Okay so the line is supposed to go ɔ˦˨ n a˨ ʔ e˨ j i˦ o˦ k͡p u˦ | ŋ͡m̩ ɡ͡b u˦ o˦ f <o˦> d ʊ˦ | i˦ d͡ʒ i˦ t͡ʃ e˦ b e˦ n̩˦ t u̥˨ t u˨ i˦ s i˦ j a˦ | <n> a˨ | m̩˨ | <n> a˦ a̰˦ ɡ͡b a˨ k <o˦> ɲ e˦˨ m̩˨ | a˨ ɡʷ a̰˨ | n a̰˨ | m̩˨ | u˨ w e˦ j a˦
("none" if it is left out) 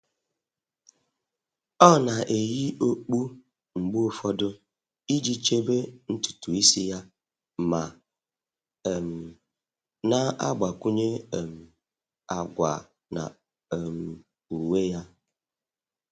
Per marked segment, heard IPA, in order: ɔ˦, m, n, u˦

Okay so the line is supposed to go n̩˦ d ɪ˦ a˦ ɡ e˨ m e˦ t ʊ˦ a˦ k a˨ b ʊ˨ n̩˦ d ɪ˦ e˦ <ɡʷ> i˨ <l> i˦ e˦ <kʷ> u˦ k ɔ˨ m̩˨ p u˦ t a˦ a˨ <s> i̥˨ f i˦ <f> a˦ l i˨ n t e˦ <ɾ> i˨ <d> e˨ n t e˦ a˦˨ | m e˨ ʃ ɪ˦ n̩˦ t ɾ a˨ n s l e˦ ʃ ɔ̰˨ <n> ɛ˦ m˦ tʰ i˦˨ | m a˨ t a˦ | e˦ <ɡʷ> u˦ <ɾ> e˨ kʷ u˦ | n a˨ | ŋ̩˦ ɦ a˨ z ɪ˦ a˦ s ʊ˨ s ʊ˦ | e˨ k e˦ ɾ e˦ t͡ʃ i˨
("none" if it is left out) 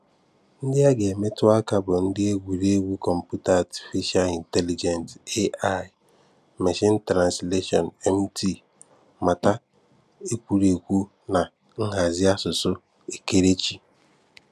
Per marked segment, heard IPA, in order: ɡʷ, ɾ, ɡʷ, t, ʃ, l, d͡ʒ, n, kʷ, ɾ

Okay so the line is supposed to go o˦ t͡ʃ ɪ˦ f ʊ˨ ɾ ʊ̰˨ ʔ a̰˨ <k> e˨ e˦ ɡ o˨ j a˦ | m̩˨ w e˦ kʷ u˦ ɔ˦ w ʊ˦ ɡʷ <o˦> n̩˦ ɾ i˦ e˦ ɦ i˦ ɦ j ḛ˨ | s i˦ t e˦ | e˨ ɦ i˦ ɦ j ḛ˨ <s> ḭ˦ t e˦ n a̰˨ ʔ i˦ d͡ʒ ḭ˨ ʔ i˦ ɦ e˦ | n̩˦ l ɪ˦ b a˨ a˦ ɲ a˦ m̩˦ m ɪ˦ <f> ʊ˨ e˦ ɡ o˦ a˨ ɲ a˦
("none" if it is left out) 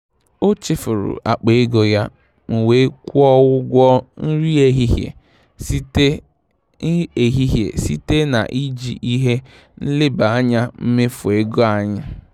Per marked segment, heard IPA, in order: k͡p, ɔ˦, s, f

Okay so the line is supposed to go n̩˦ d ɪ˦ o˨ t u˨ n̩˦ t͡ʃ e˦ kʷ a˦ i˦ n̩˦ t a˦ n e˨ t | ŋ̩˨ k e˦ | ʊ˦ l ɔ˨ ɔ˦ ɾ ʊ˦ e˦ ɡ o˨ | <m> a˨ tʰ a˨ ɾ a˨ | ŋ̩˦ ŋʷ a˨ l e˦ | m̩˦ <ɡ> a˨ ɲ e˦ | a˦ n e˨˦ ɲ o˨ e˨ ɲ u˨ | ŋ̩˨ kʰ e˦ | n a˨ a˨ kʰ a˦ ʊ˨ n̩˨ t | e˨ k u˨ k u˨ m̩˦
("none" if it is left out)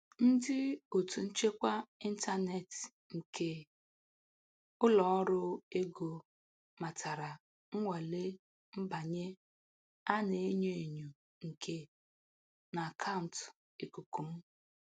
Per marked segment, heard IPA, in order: m, b

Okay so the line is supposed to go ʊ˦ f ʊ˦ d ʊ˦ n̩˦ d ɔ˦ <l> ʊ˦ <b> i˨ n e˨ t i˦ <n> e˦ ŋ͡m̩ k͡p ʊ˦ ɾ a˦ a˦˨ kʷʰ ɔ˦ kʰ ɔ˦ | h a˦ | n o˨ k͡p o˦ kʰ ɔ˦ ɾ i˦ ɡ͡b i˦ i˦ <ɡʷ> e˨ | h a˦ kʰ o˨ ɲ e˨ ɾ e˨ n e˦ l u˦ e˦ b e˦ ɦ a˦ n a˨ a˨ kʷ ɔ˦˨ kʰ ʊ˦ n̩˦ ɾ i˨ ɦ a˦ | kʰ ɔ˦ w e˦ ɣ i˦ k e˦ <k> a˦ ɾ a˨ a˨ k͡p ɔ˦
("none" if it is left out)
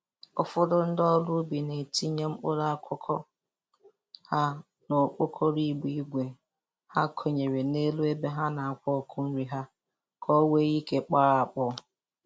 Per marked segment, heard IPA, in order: l, b, ɲ, ɡʷ, k͡p

